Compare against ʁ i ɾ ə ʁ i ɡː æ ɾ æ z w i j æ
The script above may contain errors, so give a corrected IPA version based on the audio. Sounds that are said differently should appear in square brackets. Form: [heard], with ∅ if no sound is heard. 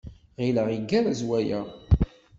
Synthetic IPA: ʁ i [l] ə ʁ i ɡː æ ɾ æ z w [æ] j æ